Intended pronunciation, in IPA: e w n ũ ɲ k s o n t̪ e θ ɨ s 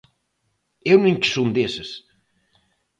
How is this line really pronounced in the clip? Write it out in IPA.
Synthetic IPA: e w n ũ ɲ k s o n d̪ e s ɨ s